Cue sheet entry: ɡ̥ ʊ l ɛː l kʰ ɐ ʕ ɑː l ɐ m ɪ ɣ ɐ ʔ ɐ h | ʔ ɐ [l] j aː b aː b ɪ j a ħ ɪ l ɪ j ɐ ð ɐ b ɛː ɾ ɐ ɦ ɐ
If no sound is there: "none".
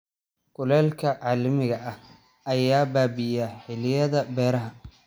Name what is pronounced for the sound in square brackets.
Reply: none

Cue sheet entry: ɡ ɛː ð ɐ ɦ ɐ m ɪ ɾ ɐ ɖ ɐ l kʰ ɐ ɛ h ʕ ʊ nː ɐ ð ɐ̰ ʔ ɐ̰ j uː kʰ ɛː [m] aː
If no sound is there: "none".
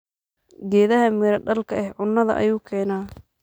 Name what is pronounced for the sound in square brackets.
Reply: n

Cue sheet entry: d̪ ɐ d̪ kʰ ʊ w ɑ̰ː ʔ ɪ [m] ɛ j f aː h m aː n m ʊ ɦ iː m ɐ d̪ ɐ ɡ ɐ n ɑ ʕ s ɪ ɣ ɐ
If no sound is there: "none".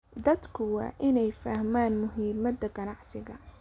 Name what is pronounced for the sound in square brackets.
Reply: n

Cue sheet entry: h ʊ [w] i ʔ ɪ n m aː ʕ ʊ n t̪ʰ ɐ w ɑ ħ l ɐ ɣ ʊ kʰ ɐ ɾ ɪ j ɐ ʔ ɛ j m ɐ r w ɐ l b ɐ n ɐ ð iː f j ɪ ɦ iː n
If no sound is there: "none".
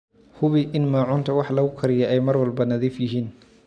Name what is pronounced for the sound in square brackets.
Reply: β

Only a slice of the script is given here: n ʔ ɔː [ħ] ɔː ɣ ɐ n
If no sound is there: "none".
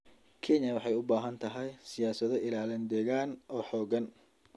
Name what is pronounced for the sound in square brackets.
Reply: ħ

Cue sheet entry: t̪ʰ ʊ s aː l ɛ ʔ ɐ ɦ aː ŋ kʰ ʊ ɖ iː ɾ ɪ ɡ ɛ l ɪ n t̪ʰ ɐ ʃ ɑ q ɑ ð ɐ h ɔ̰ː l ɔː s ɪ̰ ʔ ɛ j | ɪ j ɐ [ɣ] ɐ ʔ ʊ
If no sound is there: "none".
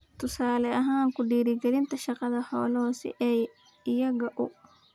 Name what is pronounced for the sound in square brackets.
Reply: ɣ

